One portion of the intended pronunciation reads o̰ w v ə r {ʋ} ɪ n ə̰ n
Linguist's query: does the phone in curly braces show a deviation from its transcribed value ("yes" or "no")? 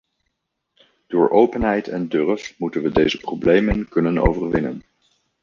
no